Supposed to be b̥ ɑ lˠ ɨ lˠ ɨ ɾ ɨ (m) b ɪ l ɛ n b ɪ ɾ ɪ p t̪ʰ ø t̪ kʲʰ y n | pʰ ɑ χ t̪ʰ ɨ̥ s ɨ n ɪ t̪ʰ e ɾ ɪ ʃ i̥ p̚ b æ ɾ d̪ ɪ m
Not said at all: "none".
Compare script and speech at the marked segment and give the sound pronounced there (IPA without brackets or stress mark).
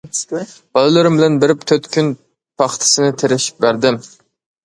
m